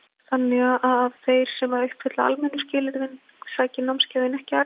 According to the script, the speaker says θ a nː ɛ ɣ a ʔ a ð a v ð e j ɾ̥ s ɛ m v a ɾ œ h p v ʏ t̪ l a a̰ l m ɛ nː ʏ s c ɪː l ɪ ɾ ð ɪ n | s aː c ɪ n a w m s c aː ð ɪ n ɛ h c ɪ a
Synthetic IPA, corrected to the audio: θ a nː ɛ ɣ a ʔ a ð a v θ e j ɾ̥ s ɛ m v a ɾ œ h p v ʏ t̪ l a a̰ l m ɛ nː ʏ s c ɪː l ɪ ɾ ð ɪ n | s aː c ɪ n a w m s c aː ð ɪ n ɛ h c ɪ a